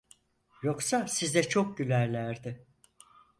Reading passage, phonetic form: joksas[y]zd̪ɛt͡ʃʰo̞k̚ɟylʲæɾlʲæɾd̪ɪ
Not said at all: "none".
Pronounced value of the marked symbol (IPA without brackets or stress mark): i